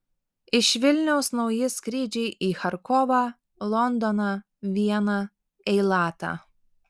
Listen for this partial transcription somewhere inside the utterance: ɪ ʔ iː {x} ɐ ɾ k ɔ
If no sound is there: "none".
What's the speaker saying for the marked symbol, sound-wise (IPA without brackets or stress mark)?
x